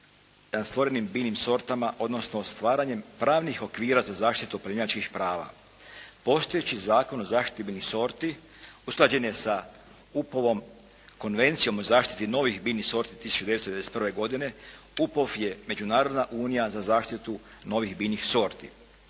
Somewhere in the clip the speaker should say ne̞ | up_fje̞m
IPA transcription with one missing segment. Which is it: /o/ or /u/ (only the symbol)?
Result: o